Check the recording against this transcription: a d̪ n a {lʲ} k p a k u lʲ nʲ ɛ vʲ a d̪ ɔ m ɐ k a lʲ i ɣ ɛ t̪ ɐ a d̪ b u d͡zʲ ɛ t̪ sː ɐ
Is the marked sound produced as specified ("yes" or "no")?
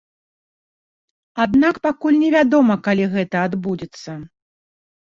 no